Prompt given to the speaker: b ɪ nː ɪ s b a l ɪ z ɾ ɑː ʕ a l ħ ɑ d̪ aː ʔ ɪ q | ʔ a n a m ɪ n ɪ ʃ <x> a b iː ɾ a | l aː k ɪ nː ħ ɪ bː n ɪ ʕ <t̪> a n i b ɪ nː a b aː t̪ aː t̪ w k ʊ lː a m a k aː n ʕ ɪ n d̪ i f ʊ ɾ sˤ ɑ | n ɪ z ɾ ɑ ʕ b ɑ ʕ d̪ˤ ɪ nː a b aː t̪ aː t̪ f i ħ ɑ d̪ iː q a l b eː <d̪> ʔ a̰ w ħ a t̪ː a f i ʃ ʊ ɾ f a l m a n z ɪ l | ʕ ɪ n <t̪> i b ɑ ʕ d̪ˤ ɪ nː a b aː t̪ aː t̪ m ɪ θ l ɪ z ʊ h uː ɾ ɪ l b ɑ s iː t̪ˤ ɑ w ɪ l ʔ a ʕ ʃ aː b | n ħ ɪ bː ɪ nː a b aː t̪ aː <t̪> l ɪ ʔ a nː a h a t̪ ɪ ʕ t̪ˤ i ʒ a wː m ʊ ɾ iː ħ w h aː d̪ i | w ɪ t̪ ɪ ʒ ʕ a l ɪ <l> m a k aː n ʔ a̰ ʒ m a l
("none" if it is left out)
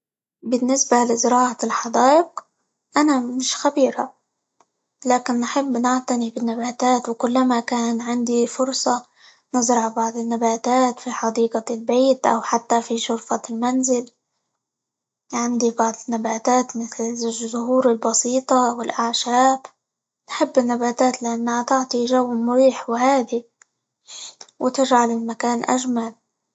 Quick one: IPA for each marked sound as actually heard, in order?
x, t̪, t̪, d̪, t̪, l

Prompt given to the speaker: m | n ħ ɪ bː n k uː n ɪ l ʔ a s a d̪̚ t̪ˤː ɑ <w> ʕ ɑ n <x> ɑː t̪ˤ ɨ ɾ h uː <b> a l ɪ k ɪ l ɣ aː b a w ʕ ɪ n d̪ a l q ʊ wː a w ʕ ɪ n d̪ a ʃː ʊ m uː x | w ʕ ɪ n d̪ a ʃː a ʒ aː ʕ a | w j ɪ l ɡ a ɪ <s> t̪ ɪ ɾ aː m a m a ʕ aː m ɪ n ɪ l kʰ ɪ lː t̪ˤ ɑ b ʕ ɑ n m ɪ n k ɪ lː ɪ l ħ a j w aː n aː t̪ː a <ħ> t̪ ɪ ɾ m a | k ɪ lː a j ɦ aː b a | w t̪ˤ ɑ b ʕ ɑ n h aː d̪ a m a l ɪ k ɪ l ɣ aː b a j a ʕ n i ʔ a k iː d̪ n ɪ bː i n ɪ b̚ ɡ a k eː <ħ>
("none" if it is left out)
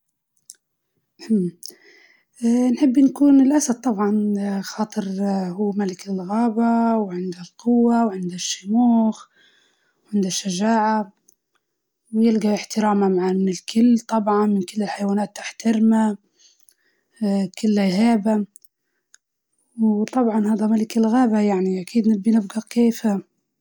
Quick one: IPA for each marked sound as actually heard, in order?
b, x, m, ħ, ħ, f

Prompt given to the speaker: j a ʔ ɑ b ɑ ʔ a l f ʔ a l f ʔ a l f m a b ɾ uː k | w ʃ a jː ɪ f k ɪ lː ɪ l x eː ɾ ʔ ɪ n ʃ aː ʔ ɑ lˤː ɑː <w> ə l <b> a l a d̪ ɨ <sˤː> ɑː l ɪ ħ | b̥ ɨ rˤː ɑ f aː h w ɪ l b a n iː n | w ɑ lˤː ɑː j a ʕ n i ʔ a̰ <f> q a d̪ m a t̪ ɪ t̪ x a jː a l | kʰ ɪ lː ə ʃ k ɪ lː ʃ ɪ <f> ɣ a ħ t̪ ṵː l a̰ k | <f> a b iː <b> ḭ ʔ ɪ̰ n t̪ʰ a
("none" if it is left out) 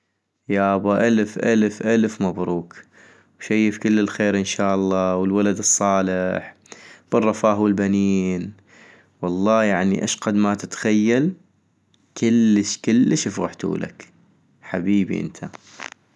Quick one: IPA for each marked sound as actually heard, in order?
w, w, sˤː, ʃ, f, ħ, b

